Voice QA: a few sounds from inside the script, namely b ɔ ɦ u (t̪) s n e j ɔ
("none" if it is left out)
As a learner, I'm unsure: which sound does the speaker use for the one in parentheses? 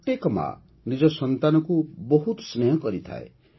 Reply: t̪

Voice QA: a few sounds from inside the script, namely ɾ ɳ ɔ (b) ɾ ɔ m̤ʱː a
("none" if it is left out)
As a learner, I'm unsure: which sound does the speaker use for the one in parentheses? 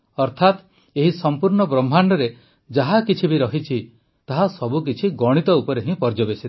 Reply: b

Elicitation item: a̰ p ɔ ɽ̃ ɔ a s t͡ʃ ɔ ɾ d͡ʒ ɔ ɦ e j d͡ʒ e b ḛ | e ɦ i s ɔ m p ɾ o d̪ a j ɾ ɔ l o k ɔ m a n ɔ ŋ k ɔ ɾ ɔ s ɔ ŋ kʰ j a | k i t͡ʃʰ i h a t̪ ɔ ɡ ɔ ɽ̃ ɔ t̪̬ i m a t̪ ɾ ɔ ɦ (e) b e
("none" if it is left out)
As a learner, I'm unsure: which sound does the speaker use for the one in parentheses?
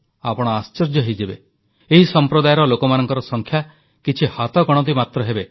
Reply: e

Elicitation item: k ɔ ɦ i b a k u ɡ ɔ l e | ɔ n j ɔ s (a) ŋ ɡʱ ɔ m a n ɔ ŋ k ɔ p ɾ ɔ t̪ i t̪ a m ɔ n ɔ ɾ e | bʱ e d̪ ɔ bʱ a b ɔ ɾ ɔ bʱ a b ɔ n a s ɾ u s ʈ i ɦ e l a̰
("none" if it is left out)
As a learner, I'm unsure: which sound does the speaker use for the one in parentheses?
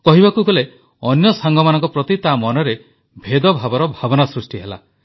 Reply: a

